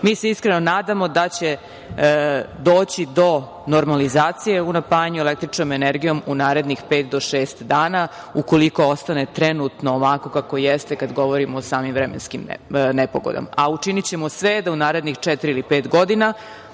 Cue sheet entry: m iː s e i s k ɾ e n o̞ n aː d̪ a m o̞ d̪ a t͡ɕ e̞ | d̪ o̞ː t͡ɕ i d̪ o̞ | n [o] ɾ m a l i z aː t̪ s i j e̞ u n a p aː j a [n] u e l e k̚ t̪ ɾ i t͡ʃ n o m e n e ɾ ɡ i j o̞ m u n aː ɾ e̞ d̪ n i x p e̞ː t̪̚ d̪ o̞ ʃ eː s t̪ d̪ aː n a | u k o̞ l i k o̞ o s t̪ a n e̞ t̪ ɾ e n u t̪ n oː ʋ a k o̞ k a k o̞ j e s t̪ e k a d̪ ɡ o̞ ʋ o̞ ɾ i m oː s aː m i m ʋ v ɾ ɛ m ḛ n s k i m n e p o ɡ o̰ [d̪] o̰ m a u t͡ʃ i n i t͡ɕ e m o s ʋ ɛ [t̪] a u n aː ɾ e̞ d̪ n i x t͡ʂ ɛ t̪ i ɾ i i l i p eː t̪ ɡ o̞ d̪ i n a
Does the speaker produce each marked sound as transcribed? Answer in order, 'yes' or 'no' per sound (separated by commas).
yes, no, yes, no